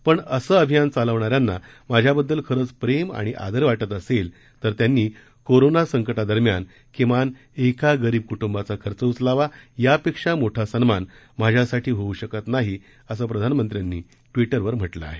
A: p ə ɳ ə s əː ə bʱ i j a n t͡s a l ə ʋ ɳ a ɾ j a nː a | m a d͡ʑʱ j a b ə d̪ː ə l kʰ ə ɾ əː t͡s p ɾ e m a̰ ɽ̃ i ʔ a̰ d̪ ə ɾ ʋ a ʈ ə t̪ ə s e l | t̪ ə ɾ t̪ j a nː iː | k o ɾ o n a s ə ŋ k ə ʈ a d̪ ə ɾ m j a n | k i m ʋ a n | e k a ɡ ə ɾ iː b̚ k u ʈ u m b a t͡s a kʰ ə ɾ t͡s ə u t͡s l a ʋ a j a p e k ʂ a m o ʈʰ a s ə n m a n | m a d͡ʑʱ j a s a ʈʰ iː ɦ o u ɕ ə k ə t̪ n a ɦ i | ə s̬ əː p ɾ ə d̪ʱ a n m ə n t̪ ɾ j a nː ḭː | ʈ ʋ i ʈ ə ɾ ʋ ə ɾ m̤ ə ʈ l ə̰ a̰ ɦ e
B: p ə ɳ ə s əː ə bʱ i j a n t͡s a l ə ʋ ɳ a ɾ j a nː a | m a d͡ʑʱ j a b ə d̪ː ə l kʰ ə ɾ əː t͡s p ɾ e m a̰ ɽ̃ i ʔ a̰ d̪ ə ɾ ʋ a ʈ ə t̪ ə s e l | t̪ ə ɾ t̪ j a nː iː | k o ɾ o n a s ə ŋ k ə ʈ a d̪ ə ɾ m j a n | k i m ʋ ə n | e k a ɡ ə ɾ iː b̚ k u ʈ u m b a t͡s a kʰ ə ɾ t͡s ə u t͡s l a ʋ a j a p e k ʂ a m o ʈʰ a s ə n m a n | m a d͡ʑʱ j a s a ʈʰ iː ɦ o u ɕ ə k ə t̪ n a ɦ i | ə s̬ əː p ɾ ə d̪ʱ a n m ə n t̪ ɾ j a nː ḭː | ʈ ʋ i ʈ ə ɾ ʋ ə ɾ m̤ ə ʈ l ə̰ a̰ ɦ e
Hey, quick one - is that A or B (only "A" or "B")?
A